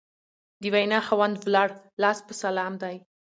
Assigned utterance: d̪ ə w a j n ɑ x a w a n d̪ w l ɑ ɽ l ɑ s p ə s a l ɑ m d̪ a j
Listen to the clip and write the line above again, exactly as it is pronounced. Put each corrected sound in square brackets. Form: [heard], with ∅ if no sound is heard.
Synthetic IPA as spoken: d̪ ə w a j n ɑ x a w a n d̪ w l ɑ ɽ l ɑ s p ə s a l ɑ m d̪ a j